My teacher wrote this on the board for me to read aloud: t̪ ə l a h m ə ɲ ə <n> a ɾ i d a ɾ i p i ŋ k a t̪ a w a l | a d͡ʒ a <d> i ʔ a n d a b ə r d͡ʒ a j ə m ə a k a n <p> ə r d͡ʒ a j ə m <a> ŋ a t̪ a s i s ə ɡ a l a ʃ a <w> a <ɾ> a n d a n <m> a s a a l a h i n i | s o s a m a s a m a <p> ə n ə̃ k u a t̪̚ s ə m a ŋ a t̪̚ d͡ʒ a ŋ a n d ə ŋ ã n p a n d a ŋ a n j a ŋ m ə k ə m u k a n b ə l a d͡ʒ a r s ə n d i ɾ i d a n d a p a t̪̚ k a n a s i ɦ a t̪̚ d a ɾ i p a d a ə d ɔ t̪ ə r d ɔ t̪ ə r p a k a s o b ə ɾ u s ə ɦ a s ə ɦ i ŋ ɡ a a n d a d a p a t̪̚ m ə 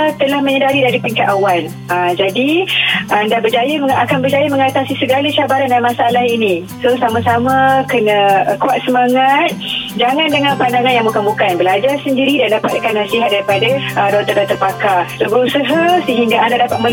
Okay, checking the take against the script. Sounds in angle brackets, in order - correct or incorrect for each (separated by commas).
incorrect, correct, incorrect, incorrect, incorrect, correct, correct, incorrect